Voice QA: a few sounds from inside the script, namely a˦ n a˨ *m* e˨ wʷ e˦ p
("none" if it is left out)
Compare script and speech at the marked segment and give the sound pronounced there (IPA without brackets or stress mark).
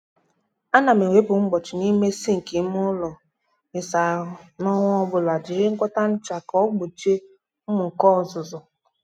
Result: m